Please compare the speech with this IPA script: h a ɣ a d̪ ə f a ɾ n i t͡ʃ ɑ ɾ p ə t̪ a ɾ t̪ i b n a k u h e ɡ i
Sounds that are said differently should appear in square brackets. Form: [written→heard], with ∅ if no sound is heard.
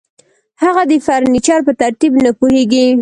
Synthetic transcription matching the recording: h a ɣ a d̪ ə f a ɾ n i t͡ʃ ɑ ɾ p ə t̪ a ɾ t̪ i b n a [k→p] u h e ɡ i